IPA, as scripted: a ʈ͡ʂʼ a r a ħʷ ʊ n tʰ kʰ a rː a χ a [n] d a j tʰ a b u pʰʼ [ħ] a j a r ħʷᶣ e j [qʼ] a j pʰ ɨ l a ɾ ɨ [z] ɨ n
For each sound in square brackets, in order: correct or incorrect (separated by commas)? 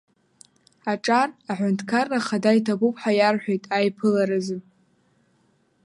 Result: incorrect, correct, incorrect, correct